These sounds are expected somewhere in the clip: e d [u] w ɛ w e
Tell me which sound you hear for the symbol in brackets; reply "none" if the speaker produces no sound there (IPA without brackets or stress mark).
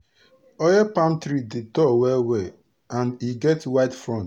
ɔ